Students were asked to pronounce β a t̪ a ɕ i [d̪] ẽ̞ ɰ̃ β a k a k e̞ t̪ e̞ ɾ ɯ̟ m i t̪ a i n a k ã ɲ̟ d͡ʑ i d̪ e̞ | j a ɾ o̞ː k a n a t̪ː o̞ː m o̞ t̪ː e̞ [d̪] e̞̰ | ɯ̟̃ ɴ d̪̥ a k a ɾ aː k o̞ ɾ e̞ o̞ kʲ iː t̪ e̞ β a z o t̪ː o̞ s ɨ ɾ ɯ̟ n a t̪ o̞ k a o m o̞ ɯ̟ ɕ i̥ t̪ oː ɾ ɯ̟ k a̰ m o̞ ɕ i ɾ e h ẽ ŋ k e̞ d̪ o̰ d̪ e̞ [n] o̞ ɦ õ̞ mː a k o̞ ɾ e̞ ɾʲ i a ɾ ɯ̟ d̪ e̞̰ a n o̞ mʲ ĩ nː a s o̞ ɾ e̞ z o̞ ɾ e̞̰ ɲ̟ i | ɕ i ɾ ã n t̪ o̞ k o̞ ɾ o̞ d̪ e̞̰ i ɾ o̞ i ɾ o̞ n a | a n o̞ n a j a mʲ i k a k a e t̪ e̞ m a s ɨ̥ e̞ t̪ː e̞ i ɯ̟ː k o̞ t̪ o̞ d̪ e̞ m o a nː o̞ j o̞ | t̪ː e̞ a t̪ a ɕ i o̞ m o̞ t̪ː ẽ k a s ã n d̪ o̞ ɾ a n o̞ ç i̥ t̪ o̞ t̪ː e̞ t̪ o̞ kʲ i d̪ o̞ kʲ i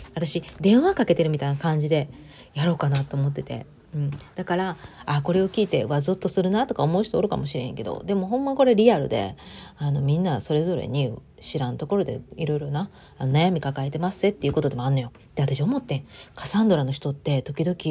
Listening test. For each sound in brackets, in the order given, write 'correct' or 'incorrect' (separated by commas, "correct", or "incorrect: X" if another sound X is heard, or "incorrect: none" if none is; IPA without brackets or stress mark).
correct, incorrect: t̪, incorrect: m